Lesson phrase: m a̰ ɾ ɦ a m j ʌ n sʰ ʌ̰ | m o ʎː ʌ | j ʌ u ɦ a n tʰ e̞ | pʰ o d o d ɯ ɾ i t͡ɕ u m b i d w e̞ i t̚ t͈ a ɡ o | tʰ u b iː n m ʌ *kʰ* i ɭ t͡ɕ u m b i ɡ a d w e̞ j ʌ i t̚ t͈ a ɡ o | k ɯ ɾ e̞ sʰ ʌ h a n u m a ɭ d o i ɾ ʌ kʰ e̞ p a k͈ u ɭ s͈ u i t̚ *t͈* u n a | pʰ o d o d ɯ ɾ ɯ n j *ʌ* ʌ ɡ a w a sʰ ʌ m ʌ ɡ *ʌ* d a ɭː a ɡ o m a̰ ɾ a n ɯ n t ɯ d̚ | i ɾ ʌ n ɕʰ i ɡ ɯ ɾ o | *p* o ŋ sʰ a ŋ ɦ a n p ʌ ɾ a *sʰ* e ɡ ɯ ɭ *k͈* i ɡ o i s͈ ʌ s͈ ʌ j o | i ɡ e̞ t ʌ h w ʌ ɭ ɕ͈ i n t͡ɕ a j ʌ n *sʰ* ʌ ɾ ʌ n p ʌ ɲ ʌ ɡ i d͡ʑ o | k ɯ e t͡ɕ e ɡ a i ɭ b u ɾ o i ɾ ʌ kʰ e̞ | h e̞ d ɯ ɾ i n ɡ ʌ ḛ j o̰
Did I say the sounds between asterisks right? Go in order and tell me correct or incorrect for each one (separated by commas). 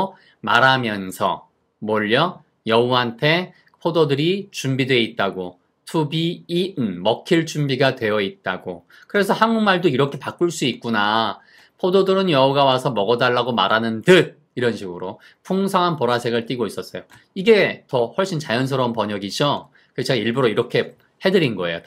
correct, incorrect, correct, correct, incorrect, correct, incorrect, correct